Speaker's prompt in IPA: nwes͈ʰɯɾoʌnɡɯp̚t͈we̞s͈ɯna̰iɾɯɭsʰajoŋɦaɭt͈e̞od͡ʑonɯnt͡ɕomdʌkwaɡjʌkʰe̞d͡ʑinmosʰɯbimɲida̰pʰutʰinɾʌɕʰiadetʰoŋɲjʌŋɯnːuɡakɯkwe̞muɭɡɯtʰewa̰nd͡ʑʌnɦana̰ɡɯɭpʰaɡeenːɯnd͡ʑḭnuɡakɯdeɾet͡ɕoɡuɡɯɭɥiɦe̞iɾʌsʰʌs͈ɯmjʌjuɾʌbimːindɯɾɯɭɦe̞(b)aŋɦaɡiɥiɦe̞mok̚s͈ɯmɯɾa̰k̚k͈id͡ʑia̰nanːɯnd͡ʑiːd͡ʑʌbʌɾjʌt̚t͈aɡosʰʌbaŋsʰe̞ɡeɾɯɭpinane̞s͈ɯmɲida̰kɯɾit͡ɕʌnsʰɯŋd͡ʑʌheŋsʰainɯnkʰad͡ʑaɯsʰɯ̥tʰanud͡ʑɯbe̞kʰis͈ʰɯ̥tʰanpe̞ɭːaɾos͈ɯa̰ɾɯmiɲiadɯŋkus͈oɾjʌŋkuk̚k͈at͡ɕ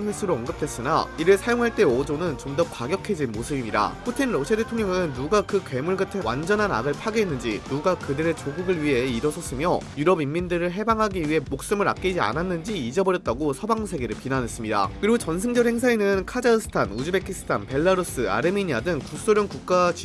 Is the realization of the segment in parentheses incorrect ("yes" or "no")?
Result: no